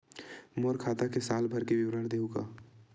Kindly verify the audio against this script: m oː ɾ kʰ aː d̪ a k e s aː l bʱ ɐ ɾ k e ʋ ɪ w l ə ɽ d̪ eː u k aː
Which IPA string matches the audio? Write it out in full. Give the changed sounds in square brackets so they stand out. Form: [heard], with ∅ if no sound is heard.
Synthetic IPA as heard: m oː ɾ kʰ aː [t̪] a k e s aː l bʱ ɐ ɾ k e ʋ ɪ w [ɾ] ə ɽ d̪ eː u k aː